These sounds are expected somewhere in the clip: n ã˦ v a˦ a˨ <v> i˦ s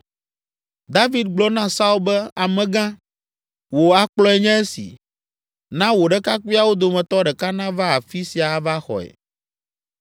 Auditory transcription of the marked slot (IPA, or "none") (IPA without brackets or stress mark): f